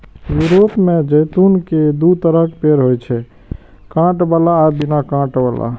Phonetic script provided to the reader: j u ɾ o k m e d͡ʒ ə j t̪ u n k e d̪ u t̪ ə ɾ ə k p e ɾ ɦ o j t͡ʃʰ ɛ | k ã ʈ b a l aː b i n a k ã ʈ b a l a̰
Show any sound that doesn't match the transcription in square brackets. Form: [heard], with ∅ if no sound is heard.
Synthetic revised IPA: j u ɾ o [p] m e d͡ʒ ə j t̪ u n k e d̪ u t̪ ə ɾ ə k p e ɾ ɦ o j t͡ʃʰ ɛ | k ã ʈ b a l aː b i n a k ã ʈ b a l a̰